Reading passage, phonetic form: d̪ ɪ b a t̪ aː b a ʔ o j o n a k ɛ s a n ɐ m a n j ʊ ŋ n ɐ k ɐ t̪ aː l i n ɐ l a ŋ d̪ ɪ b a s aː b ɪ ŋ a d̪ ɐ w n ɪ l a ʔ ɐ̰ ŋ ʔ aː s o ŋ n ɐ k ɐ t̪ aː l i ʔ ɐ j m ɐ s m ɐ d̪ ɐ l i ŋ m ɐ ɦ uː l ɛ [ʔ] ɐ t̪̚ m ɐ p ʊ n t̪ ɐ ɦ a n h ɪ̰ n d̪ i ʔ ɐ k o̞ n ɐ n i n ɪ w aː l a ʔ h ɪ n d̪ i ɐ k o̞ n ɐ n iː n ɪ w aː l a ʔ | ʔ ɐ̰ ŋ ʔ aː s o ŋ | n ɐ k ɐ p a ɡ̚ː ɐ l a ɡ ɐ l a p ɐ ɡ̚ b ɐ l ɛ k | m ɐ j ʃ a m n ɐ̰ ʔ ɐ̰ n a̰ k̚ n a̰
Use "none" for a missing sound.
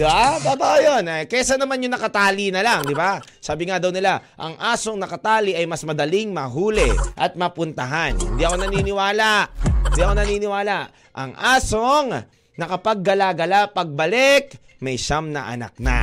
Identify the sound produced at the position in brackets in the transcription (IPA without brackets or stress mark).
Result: ʔ